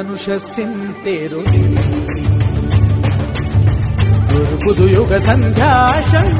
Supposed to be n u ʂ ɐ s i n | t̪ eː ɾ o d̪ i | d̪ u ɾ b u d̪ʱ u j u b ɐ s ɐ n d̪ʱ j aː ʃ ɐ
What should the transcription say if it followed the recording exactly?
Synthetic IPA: n u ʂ ɐ s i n | t̪ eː ɾ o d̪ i | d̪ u ɾ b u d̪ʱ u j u ɡ ɐ s ɐ n d̪ʱ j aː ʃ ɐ